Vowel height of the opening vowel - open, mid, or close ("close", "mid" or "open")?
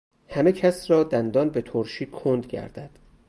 open